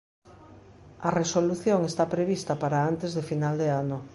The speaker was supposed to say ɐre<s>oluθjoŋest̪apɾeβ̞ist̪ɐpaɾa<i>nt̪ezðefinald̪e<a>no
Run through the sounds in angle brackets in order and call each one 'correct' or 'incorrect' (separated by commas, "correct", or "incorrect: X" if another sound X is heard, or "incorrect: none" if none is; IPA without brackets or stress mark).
correct, incorrect: a, correct